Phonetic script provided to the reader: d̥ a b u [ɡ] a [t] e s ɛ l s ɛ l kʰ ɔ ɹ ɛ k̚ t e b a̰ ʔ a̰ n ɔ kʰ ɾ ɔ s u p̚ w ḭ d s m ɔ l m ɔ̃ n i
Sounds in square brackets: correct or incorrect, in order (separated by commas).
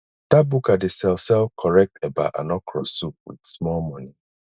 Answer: incorrect, incorrect